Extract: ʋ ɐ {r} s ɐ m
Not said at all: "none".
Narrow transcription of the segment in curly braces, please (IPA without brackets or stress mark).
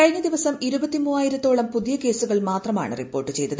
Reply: none